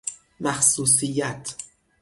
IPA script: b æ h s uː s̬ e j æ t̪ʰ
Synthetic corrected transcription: m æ x s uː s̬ i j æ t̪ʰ